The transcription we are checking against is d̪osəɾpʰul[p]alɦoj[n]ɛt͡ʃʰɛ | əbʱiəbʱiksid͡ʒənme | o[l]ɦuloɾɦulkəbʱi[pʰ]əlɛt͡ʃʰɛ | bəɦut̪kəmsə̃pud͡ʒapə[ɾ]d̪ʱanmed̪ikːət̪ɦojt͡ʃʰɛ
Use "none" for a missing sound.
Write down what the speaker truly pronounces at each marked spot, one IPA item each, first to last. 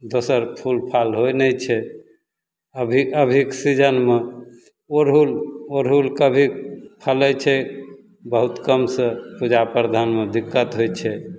pʰ, n, ɾ, pʰ, ɾ

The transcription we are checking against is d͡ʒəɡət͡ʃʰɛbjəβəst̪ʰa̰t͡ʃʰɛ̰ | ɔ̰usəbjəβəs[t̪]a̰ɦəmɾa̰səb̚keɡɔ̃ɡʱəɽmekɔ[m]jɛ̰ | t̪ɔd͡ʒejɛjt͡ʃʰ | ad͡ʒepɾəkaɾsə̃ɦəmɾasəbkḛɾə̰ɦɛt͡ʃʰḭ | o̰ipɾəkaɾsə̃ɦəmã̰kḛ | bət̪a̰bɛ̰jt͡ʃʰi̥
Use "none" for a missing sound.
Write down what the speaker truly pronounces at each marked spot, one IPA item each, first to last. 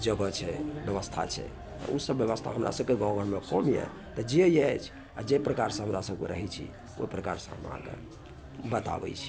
t̪ʰ, m

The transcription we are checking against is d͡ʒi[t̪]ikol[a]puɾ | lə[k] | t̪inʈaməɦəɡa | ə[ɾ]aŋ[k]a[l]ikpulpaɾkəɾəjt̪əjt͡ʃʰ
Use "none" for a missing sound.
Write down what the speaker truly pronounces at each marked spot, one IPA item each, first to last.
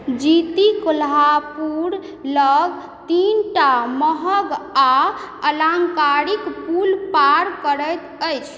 t̪, a, ɡ, l, k, ɾ

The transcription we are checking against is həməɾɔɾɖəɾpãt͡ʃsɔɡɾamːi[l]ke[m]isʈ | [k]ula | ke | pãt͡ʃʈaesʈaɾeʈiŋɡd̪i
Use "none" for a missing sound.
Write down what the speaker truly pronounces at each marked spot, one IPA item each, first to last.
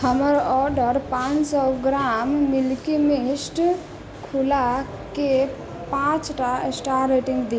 l, m, kʰ

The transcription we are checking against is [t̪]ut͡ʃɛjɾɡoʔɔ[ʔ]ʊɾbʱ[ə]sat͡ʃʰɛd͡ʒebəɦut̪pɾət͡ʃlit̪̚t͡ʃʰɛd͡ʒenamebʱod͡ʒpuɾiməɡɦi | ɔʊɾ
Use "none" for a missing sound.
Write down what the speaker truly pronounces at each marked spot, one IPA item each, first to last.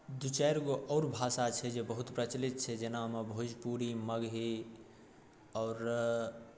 d̪, none, a

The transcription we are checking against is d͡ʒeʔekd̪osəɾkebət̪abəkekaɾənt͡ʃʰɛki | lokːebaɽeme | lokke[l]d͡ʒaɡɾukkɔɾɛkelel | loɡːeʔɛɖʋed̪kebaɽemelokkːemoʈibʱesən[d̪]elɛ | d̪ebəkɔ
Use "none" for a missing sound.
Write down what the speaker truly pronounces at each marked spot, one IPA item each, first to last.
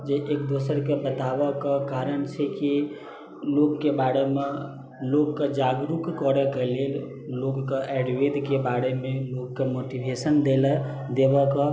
none, d̪

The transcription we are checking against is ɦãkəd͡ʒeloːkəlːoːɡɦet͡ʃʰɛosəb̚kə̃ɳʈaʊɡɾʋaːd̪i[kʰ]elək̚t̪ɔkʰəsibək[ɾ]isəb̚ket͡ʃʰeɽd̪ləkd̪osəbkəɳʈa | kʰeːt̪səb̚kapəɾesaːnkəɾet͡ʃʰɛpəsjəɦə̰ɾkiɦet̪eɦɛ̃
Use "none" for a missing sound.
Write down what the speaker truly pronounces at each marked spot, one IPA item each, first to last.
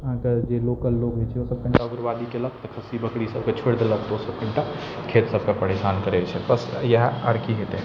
k, ɽ

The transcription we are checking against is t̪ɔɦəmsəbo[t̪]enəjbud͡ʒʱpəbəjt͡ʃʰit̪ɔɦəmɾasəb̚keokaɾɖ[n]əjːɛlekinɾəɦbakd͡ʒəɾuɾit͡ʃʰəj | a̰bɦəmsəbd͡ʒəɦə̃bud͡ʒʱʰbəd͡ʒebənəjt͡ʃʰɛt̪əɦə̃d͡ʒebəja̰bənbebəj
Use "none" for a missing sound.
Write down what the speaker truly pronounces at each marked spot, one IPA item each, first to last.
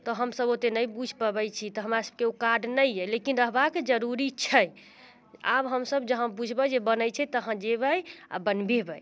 t̪, n

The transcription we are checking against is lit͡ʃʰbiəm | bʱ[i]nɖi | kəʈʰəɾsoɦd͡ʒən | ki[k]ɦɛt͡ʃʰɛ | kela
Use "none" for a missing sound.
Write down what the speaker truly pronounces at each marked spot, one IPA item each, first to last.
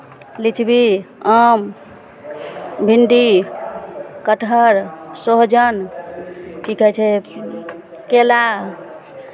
i, k

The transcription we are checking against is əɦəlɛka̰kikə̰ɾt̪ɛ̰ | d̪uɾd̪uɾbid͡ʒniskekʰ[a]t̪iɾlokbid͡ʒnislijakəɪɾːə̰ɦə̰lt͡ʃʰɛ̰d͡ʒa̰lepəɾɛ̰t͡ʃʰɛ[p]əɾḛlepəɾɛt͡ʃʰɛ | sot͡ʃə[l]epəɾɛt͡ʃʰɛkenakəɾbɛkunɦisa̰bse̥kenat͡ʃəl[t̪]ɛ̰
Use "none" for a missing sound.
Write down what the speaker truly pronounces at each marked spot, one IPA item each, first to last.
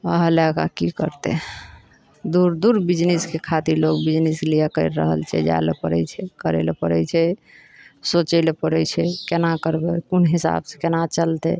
a, k, l, t̪

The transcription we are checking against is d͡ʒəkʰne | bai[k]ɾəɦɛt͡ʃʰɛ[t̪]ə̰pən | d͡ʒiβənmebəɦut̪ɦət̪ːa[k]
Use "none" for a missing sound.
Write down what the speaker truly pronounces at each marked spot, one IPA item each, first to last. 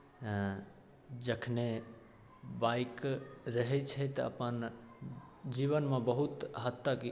k, t̪, k

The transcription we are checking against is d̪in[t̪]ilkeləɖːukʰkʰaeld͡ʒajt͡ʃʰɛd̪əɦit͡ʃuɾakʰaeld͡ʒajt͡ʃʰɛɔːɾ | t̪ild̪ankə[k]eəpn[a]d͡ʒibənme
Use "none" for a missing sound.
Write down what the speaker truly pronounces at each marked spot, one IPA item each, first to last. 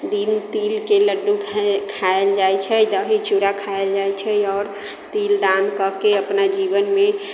t̪, k, a

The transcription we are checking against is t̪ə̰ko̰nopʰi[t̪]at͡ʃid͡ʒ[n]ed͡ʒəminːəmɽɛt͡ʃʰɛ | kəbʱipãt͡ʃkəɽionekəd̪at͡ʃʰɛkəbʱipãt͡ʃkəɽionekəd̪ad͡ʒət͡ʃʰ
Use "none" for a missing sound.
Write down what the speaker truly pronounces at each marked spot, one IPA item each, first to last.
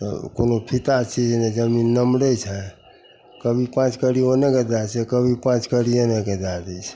t̪, n

